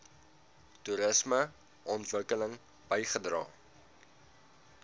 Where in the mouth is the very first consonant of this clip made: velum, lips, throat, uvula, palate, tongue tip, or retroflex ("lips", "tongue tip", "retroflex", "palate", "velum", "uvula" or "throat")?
tongue tip